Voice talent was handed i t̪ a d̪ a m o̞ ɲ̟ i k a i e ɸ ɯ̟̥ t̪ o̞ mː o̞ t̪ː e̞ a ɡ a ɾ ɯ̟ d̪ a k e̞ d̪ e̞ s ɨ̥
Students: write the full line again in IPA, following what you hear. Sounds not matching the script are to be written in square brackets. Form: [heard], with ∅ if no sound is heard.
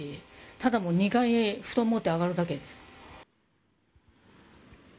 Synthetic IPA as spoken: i t̪ a d̪ a m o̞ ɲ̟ i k a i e ɸ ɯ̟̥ t̪ o̞ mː o̞ t̪ː e̞ a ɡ a ɾ ɯ̟ d̪ a k e̞ d̪ e̞ s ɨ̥